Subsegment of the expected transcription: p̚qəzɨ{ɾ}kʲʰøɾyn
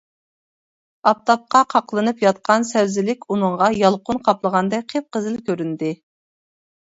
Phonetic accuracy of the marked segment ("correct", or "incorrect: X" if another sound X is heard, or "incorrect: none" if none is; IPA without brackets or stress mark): incorrect: l